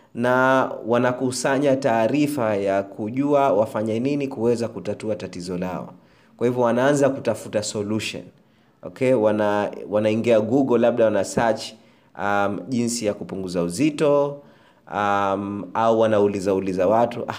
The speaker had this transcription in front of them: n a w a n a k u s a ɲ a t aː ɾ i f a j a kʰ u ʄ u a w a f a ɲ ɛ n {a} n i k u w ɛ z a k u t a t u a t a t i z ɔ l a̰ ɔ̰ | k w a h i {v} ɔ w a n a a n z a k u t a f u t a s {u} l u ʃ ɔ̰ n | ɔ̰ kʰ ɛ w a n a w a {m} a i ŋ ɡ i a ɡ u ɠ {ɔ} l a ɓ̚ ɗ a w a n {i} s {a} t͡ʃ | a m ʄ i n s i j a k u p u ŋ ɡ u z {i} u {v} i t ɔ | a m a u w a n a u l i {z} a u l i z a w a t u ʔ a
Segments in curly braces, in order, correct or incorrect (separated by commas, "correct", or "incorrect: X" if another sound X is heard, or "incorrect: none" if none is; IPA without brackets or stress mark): incorrect: i, correct, incorrect: ɔ, incorrect: n, correct, incorrect: a, correct, incorrect: a, incorrect: z, correct